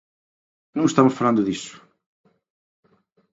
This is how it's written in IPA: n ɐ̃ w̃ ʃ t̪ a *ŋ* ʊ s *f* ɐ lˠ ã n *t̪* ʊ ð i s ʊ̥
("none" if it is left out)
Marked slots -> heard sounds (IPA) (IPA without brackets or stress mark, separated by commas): m, f, d̪